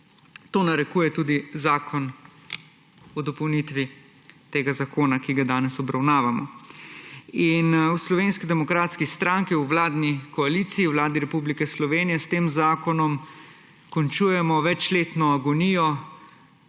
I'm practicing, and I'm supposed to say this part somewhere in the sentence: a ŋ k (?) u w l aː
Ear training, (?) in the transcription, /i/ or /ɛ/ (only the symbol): i